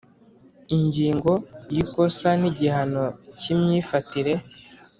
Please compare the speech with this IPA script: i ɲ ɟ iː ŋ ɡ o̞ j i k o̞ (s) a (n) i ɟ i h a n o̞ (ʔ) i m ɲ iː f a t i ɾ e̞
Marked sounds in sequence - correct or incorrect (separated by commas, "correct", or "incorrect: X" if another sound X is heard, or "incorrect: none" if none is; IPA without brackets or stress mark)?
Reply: correct, correct, incorrect: c